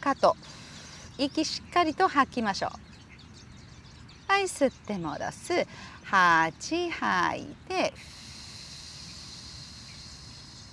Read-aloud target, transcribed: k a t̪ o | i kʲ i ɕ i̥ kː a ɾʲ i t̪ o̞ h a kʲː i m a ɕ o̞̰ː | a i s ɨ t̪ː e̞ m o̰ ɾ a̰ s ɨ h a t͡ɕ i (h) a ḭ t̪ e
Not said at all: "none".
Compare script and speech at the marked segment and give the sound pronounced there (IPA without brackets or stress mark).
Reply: h